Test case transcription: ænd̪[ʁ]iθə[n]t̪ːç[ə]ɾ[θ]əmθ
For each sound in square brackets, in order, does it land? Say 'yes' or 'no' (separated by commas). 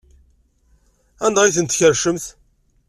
yes, yes, yes, no